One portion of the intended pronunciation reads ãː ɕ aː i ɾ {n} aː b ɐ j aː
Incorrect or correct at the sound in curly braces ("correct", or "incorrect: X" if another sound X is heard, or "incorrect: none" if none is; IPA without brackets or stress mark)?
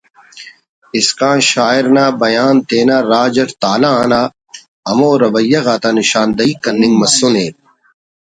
correct